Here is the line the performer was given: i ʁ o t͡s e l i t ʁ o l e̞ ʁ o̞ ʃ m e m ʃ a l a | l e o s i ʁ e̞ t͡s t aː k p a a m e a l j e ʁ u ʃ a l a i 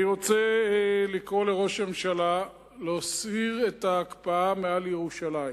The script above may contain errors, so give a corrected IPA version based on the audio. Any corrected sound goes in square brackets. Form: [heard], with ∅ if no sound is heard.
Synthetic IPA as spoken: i ʁ o t͡s e l i [k] ʁ o l e̞ ʁ o̞ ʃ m e m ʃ a l a | l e o s i ʁ e̞ [∅] t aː k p a a m e a l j e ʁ u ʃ a l a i